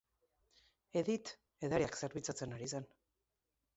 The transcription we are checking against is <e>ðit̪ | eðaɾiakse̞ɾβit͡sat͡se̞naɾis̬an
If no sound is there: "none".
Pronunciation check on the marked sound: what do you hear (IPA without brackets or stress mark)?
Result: e